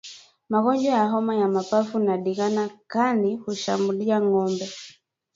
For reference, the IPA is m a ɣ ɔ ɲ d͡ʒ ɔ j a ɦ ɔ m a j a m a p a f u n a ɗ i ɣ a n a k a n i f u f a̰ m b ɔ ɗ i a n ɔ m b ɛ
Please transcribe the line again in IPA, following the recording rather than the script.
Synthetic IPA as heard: m a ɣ ɔ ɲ d͡ʒ ɔ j a ɦ ɔ m a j a m a p a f u n a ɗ i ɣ a n a k a n i h u ʃ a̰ m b u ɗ i a ŋ ɔ m b ɛ